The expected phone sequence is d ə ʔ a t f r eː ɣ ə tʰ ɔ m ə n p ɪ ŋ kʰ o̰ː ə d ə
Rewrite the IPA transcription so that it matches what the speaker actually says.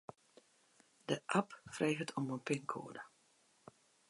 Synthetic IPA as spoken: d ə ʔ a p f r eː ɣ ə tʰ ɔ m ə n p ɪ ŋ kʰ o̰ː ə d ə